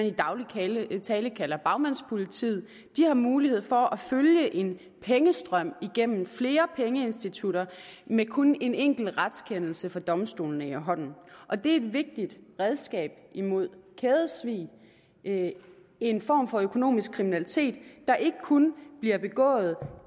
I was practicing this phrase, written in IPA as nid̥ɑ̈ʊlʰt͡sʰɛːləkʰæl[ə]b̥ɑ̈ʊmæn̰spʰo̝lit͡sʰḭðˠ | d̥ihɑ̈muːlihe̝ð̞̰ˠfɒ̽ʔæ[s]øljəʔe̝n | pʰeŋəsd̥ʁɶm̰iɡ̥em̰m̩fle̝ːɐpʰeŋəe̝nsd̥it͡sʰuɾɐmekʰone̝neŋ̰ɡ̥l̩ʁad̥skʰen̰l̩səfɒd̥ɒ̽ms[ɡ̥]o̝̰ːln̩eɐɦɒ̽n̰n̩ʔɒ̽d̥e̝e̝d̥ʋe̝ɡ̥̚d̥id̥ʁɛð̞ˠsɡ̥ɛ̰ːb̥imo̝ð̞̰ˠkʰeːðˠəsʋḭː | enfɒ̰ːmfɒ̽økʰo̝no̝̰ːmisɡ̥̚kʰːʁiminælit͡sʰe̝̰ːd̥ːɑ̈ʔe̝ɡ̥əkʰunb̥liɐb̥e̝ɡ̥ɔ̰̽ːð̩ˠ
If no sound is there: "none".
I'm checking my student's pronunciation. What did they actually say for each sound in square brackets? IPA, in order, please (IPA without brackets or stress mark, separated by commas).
ɐ, f, d̥